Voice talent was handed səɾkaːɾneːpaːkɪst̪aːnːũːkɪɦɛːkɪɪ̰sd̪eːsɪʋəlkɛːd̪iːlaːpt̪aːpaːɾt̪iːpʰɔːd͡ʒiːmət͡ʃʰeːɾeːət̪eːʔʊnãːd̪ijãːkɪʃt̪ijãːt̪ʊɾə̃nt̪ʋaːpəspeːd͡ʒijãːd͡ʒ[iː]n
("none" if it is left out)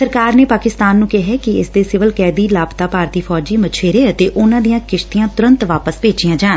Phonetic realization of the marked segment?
aː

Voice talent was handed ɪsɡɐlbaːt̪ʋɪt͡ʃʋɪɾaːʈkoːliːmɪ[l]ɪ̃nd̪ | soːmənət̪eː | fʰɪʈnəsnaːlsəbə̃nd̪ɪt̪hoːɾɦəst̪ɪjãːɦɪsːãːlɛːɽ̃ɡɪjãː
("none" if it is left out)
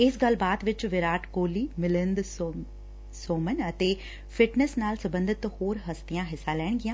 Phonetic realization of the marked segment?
l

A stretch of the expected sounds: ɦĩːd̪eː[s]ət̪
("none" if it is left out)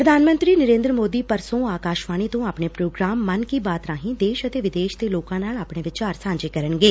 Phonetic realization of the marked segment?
ʃ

